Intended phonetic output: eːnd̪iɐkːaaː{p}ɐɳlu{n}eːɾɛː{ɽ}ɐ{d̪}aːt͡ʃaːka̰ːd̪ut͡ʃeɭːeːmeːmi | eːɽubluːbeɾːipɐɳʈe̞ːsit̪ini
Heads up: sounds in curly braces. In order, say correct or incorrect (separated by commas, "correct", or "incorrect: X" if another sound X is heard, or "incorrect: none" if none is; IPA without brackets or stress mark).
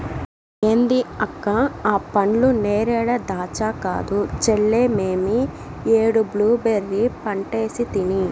correct, correct, correct, correct